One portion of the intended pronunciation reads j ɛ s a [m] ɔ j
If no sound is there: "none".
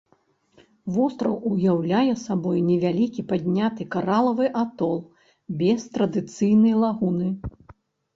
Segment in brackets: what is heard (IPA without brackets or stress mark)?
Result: b